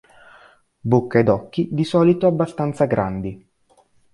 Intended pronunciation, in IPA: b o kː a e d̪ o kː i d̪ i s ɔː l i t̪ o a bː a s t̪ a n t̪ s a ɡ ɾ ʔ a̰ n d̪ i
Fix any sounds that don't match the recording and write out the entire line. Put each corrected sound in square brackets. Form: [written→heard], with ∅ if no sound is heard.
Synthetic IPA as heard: b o kː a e d̪ [o→ɔ] kː i d̪ i s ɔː l i t̪ o a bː a s t̪ a n t̪ s a ɡ ɾ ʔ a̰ n d̪ i

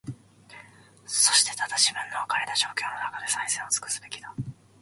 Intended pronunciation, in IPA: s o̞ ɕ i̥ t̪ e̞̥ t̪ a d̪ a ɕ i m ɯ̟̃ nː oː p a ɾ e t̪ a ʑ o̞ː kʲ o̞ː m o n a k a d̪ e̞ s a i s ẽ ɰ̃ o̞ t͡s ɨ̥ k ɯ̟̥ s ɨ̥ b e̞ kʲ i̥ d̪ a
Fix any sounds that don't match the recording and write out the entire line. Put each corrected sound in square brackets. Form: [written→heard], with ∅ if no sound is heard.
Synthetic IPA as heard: s o̞ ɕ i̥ t̪ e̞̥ t̪ a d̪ a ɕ i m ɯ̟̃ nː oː [p→k] a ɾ e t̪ a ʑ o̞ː kʲ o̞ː [m→n] o n a k a d̪ e̞ s a i s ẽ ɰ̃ o̞ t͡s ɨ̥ k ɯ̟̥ s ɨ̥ b e̞ kʲ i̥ d̪ a

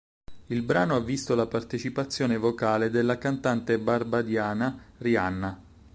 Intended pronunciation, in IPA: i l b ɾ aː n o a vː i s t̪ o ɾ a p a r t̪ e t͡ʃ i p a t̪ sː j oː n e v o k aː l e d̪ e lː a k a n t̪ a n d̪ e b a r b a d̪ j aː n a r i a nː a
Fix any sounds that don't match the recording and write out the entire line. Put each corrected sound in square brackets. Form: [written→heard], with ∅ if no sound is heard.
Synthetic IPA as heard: i l b ɾ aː n o a vː i s t̪ o [ɾ→l] a p a r t̪ e t͡ʃ i p a t̪ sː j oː n e v o k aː l e d̪ e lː a k a n t̪ a n [d̪→t̪] e b a r b a d̪ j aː n a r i a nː a

